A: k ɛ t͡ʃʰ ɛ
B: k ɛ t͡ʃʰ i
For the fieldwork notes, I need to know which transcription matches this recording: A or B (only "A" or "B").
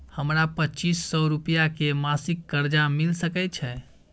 A